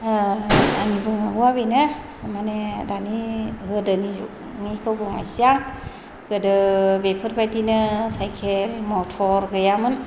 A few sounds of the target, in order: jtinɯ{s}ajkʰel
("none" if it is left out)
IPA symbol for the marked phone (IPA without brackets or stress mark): s